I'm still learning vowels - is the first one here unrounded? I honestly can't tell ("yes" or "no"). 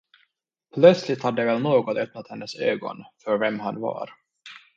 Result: no